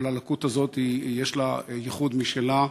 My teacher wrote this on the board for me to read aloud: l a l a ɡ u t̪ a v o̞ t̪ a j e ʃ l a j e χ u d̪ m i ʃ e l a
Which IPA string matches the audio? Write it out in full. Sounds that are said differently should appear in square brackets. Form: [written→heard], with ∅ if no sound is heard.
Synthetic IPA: l a l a [ɡ→k] u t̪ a [v→z] o̞ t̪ [a→i] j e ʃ l a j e χ u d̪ m i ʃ e l a